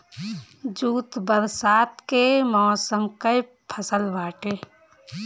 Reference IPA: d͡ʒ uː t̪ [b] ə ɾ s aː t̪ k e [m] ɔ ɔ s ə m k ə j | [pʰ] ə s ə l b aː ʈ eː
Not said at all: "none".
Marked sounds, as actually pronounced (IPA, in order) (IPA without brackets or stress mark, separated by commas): b, m, pʰ